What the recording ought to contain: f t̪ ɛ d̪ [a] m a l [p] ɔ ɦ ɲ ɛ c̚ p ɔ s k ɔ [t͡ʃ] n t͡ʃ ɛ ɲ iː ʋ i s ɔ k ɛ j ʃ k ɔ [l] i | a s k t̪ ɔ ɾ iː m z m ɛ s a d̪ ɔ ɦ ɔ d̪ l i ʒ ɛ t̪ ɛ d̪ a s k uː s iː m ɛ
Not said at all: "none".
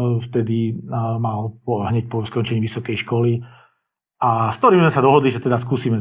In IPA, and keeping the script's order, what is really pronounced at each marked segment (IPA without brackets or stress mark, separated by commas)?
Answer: i, p, none, l